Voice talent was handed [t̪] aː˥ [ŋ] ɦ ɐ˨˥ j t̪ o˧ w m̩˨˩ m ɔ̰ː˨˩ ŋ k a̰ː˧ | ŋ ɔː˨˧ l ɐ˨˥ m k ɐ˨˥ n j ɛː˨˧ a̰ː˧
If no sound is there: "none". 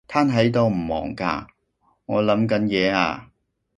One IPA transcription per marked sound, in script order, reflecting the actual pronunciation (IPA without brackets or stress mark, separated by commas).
t̪ʰ, n